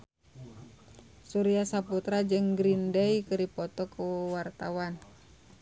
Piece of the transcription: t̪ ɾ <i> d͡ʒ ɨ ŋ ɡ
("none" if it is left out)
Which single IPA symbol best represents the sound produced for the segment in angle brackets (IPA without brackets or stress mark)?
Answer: a